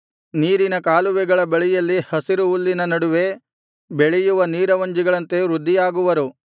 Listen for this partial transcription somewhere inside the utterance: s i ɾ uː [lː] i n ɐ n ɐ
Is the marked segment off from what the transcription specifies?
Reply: no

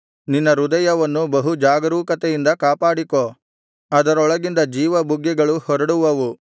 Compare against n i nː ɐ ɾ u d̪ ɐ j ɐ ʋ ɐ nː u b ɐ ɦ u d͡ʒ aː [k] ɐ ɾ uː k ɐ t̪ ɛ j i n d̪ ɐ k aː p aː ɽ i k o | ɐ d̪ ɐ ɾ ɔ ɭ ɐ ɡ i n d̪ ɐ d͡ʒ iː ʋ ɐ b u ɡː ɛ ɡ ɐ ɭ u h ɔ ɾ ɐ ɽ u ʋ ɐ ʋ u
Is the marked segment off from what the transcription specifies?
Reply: yes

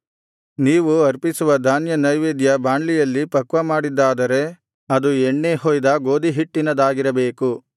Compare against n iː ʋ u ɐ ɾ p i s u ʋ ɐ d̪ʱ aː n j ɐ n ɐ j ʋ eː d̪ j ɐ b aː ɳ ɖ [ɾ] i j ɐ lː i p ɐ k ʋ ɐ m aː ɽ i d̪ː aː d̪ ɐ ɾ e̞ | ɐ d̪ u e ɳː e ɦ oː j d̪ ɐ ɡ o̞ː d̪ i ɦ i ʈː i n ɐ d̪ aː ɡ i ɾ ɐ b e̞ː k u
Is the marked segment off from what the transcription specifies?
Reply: yes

